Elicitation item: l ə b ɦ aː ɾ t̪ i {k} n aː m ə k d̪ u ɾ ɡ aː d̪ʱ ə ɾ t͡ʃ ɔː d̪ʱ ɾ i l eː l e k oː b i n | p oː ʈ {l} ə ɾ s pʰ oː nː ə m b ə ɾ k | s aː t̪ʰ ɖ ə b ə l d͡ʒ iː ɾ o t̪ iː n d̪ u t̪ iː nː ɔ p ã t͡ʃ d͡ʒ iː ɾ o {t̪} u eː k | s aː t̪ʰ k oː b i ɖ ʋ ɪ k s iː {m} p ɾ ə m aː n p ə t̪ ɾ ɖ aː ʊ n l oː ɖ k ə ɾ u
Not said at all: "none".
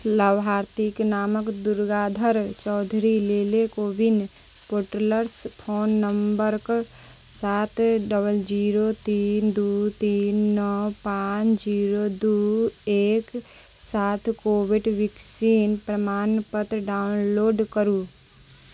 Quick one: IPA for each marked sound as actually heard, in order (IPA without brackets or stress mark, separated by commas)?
k, l, d̪, n